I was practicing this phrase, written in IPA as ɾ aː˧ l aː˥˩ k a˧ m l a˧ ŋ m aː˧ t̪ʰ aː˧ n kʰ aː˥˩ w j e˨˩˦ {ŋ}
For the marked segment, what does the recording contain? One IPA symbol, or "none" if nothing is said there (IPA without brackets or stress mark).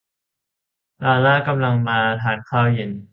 n